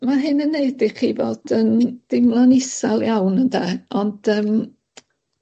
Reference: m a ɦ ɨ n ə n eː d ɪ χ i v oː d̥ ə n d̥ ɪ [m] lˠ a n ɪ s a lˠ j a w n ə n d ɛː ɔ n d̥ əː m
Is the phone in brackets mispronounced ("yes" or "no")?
no